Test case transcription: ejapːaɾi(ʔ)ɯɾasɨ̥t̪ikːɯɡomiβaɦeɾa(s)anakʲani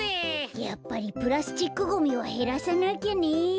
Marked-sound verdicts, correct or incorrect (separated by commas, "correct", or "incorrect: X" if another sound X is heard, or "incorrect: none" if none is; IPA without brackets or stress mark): incorrect: p, correct